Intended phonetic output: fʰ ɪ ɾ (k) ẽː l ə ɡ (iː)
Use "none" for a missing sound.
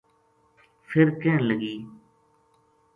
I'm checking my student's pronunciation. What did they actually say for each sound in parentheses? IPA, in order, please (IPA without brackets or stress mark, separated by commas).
k, iː